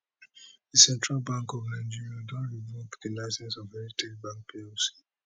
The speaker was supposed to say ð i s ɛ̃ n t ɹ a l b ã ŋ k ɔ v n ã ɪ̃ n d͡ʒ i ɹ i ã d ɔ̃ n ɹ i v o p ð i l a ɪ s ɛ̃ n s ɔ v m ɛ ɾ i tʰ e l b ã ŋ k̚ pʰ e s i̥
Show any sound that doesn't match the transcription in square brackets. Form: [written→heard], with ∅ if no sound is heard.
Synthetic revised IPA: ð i s ɛ̃ n t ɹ a l b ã ŋ k ɔ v n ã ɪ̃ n d͡ʒ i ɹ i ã d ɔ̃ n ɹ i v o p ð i l a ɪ s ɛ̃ n s ɔ v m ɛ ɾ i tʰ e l b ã ŋ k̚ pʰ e s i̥